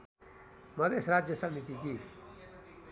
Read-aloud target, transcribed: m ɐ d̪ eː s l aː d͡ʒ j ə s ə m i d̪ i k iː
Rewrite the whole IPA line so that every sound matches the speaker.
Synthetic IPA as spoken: m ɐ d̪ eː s ɾ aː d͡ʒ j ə s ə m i t̪ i k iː